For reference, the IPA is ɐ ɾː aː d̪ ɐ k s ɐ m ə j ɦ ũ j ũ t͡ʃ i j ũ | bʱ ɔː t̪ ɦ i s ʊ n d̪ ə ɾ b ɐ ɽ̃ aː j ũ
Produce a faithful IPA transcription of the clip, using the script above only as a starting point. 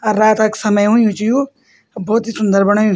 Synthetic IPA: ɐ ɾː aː t̪ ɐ k s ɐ m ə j ɦ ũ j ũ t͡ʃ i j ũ | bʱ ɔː t̪ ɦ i s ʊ n d̪ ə ɾ b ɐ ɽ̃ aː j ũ

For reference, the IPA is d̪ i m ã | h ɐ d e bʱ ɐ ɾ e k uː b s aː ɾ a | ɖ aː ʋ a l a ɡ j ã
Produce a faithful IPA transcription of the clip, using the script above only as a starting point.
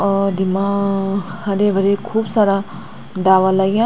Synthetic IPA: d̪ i m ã | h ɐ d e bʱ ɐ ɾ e kʰ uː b s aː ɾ a | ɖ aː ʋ a l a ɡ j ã

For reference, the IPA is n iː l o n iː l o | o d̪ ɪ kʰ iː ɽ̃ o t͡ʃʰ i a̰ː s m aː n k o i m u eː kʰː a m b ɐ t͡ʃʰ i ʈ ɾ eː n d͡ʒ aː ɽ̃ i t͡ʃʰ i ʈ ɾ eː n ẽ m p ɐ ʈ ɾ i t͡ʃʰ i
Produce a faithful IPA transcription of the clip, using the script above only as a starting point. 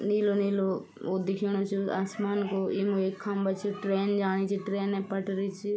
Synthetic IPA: n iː l o n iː l o | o d̪ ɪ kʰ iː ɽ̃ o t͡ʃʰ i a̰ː s m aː n k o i m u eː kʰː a m b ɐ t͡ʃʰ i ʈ ɾ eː n d͡ʒ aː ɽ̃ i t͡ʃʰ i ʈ ɾ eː n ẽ p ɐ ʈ ɾ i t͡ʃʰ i

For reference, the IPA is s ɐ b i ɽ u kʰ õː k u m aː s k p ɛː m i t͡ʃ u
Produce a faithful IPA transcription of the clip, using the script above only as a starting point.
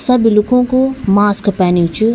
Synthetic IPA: s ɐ b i l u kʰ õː k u m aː s k p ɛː n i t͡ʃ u

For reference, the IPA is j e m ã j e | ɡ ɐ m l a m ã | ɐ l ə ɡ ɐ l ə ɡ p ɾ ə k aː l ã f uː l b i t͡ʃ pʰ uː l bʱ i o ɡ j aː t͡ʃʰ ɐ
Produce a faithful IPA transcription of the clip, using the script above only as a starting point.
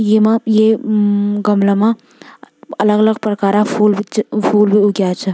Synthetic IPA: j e m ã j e | ɡ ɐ m l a m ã | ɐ l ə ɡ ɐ l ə ɡ p ɾ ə k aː ɾ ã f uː l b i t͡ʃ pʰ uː l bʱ i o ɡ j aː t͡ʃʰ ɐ

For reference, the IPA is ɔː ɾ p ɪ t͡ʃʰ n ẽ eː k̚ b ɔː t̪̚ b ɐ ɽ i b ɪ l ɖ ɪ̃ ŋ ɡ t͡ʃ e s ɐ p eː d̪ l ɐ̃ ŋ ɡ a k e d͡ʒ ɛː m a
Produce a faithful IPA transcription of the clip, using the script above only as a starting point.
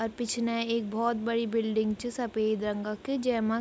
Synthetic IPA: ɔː ɾ p ɪ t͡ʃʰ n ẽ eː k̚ b ɔː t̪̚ b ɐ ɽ i b ɪ l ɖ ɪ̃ ŋ ɡ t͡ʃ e s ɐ p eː d̪ ɾ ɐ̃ ŋ ɡ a k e d͡ʒ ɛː m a

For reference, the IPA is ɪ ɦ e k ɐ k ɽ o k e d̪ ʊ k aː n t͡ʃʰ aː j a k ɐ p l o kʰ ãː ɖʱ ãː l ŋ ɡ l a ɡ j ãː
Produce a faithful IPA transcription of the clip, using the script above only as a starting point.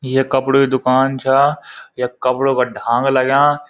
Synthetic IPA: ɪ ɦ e k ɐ p ɽ o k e d̪ ʊ k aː n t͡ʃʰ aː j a k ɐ p ɽ o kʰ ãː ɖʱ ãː ŋ ɡ l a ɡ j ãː

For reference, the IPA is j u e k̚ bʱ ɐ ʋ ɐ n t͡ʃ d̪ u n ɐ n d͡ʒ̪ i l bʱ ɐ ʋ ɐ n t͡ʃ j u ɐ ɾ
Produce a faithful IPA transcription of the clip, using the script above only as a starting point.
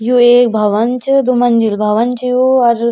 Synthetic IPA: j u e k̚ bʱ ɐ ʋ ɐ n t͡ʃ d̪ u m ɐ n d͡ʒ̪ i l bʱ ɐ ʋ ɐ n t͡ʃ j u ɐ ɾ

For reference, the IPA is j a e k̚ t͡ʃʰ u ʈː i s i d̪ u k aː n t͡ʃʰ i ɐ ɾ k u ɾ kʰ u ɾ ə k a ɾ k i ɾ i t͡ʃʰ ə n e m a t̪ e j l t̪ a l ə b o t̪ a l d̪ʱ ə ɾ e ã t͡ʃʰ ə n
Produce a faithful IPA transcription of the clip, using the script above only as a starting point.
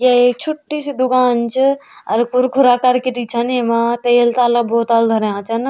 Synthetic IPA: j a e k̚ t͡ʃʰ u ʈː i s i d̪ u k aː n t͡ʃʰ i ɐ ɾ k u ɾ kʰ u ɾ a k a ɾ k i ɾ i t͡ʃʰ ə n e m a t̪ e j l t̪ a l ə b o t̪ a l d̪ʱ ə ɾ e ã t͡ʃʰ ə n

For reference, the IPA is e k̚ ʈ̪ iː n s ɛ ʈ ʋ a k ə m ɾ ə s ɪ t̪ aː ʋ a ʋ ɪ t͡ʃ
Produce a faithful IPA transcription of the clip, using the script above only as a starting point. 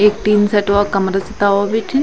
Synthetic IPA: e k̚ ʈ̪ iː n s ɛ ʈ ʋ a k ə m ɾ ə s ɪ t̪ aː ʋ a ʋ ɪ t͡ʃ

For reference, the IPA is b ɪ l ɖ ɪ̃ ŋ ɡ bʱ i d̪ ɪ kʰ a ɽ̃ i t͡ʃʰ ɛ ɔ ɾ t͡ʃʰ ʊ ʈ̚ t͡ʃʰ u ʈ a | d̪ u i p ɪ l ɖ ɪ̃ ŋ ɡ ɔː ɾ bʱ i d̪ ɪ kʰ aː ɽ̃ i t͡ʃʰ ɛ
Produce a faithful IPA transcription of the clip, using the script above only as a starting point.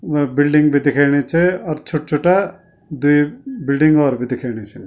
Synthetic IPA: b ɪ l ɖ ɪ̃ ŋ ɡ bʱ i d̪ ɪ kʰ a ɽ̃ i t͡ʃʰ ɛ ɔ ɾ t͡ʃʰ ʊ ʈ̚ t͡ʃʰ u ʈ a | d̪ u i b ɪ l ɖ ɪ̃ ŋ ɡ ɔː ɾ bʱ i d̪ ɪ kʰ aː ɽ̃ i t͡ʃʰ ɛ

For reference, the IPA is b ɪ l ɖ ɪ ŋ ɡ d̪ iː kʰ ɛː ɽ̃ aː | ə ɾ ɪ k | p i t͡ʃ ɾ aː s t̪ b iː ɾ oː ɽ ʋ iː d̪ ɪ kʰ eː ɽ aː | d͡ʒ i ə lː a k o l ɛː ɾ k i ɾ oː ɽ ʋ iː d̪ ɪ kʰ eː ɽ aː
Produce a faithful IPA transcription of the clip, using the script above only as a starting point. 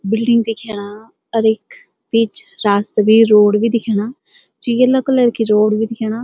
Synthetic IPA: b ɪ l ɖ ɪ ŋ ɡ d̪ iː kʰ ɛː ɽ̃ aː | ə ɾ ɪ k | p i t͡ʃ ɾ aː s t̪ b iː ɾ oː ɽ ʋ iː d̪ ɪ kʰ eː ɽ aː | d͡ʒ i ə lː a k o l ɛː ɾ k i ɾ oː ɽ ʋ iː d̪ ɪ kʰ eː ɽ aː

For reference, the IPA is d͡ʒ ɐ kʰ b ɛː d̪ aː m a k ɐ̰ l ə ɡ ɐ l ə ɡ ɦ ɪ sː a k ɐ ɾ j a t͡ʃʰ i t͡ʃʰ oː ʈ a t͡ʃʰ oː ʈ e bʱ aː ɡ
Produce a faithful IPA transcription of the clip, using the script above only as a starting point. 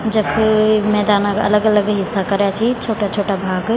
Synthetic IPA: d͡ʒ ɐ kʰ m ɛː d̪ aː n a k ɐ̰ l ə ɡ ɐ l ə ɡ ɦ ɪ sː a k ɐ ɾ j a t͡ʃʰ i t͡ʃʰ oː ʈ a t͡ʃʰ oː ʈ a bʱ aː ɡ

